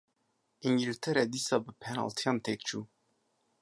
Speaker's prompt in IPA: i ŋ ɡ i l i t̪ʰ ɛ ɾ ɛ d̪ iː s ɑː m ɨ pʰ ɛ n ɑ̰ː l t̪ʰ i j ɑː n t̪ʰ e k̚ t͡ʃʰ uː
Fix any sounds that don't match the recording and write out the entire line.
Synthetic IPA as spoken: i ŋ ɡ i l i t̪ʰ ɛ ɾ ɛ d̪ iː s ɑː b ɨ pʰ ɛ n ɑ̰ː l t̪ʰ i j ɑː n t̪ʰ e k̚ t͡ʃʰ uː